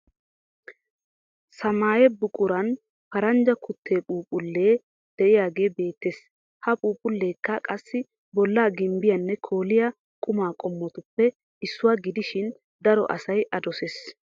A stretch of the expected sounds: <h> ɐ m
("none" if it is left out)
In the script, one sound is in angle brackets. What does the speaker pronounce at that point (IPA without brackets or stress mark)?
s